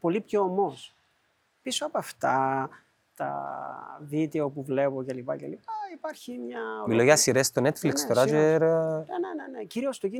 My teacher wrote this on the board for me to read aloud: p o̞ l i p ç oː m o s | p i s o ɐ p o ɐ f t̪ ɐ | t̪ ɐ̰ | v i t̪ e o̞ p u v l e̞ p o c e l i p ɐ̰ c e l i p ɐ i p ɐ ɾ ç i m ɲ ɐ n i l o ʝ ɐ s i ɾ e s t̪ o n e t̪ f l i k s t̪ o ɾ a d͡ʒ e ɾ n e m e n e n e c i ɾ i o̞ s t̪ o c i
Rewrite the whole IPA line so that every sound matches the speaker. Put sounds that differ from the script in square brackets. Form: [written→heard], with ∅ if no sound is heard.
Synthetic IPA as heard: p o̞ l i p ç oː m o s | p i s o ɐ p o ɐ f t̪ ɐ | t̪ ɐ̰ | v i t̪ e o̞ p u v l e̞ p o c e l i p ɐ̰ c e l i p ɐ i p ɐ ɾ ç i m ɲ ɐ [n→m] i l o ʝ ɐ s i ɾ e s t̪ o n e t̪ f l i k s t̪ o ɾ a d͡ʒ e ɾ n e [m→n] e n e n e c i ɾ i o̞ s t̪ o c i